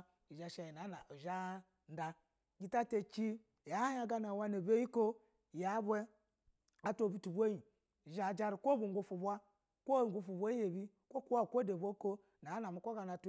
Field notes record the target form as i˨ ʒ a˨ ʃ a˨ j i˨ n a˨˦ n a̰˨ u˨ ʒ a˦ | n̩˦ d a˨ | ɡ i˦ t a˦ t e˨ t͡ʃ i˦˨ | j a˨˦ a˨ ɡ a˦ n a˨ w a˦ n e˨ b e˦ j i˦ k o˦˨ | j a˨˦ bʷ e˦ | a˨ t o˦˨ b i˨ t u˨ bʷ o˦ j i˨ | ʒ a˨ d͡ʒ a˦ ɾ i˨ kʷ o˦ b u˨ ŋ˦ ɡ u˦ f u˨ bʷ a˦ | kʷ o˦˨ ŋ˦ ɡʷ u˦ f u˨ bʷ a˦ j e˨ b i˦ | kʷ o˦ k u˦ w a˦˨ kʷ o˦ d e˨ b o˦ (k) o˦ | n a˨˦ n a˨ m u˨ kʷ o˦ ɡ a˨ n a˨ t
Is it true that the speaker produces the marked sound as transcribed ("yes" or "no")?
yes